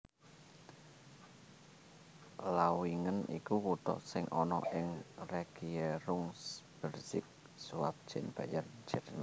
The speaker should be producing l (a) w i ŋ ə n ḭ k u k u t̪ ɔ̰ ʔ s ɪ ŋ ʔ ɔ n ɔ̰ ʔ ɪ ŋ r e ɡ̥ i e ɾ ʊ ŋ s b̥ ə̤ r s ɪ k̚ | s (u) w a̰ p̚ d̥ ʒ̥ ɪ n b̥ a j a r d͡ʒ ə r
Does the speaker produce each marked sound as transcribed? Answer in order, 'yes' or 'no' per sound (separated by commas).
yes, yes